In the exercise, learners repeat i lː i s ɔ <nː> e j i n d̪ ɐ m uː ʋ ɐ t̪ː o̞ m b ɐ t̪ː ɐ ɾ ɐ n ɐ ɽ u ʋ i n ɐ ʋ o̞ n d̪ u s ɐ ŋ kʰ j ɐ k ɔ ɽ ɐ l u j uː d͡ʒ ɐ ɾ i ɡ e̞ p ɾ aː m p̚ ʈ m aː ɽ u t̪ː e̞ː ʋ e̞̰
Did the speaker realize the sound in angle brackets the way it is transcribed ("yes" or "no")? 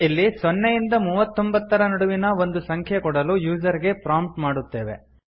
yes